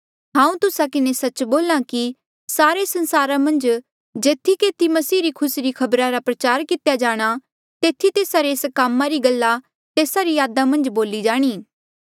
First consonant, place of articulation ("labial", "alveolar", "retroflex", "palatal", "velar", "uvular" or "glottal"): glottal